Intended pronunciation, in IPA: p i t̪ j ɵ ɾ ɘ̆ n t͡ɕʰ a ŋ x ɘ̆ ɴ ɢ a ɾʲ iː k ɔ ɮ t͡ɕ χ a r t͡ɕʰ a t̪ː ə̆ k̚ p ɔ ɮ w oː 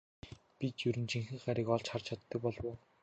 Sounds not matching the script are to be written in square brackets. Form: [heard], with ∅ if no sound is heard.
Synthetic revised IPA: p i t̪ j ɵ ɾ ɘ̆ n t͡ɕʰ [i] ŋ x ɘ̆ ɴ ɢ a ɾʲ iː k ɔ ɮ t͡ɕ χ a r t͡ɕʰ a t̪ː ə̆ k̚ p ɔ ɮ w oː